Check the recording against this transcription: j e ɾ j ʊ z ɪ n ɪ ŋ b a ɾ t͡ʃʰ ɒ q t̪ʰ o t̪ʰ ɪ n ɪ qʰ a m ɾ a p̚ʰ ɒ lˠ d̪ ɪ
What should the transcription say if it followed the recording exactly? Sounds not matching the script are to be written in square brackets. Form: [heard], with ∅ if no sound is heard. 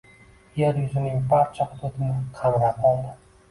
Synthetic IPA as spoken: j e ɾ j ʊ z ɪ n ɪ ŋ b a ɾ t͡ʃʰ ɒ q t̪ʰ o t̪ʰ ɪ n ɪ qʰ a m ɾ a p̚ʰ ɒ lˠ d̪ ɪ